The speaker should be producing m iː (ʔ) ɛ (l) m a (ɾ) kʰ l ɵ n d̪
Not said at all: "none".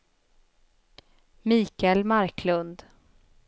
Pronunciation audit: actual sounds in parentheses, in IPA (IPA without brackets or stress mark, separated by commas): k, l, ɾ